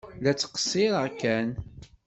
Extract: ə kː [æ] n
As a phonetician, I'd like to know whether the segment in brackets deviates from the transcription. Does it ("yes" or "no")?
no